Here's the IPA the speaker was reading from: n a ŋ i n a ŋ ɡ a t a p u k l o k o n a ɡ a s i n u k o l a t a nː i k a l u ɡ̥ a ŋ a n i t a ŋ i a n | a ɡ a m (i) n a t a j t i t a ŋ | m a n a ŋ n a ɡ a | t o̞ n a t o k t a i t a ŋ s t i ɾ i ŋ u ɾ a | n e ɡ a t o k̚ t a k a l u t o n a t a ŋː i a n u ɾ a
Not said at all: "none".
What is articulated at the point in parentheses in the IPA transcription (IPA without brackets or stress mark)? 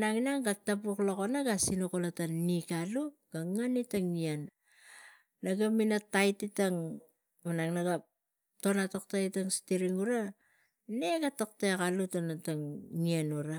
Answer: i